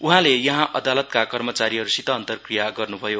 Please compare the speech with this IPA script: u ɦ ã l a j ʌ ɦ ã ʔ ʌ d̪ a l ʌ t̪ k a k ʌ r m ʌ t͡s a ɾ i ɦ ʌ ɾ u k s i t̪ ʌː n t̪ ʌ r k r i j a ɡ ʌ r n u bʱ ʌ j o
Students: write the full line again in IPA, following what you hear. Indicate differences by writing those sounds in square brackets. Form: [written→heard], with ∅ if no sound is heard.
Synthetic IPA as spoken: u ɦ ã l [a→e] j ʌ ɦ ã ʔ ʌ d̪ a l ʌ t̪ k a k ʌ r m ʌ t͡s a ɾ i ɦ ʌ ɾ u [k→∅] s i t̪ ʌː n t̪ ʌ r k r i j a ɡ ʌ r n u bʱ ʌ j o